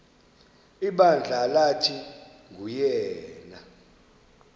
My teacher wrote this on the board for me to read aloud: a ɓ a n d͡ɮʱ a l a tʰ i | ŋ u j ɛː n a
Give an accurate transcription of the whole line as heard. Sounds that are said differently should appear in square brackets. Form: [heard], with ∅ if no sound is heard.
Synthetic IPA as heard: [i] ɓ a n d͡ɮʱ a l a tʰ i | ŋ u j ɛː n a